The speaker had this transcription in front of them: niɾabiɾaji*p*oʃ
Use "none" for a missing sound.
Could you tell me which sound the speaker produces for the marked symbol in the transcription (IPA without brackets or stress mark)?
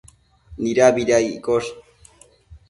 k